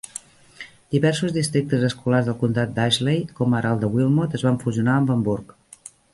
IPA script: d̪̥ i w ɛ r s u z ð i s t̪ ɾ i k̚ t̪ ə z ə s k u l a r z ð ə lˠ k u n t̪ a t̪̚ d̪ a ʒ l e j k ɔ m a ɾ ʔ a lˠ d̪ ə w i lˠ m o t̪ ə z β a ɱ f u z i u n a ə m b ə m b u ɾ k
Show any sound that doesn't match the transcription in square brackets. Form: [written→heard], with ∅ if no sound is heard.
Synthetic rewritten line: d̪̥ i [w→β] ɛ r s u z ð i s t̪ ɾ i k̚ t̪ ə z ə s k u l a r z ð ə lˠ k u n t̪ a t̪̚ d̪ a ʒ l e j k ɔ m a ɾ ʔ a lˠ d̪ ə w i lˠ m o t̪ ə z β a ɱ f u z i u n a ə m b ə m b u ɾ k